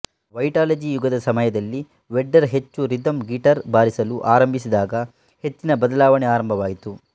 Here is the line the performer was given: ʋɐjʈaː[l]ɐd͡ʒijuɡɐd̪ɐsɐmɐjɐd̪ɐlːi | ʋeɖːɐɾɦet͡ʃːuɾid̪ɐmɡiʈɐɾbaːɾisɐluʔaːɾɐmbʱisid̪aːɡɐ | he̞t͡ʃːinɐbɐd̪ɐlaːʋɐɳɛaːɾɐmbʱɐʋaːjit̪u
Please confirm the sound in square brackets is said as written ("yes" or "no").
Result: yes